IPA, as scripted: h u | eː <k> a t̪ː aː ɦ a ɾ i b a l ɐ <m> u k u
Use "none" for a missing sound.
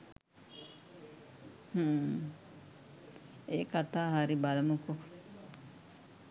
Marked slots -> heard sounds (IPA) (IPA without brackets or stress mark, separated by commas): k, m